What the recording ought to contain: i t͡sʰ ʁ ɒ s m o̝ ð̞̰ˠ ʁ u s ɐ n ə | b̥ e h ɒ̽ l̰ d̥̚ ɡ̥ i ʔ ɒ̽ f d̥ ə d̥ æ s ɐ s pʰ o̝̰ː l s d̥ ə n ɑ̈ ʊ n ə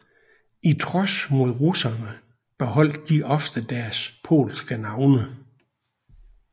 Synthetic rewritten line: i t͡sʰ ʁ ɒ s m o̝ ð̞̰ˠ ʁ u s ɐ n ə | b̥ e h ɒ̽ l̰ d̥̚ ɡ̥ i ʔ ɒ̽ f d̥ ə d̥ æ ɐ s pʰ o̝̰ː l s ɡ̥ ə n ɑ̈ ʊ n ə